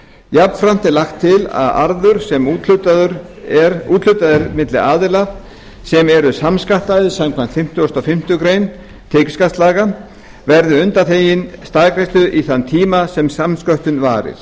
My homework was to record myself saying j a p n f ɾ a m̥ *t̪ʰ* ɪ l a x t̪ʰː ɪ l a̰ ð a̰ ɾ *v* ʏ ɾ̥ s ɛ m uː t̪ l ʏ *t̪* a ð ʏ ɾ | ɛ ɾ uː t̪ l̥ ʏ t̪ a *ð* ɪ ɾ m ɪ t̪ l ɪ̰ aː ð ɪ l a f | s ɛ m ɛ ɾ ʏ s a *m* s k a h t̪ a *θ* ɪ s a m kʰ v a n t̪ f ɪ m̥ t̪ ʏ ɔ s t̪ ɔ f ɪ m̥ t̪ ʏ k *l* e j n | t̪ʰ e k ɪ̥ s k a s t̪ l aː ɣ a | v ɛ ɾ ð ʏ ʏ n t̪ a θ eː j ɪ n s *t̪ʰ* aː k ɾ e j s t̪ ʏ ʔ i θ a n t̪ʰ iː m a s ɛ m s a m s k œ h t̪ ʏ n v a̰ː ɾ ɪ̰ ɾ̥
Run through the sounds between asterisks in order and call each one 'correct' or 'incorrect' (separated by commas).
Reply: incorrect, incorrect, correct, correct, correct, incorrect, incorrect, incorrect